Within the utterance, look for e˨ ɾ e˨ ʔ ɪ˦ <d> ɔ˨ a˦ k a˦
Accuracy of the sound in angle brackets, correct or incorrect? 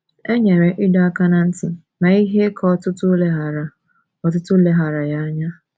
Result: correct